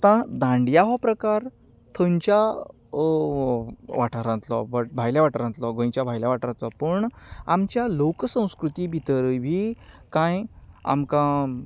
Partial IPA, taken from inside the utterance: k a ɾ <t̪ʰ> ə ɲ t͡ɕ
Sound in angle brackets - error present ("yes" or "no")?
no